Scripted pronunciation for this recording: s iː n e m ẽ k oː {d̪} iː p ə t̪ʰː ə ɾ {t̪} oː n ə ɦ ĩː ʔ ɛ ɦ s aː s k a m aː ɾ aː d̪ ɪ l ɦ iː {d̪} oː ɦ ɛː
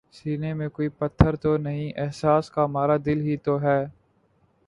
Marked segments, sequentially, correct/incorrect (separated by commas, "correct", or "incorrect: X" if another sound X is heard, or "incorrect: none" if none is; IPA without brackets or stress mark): incorrect: none, correct, incorrect: t̪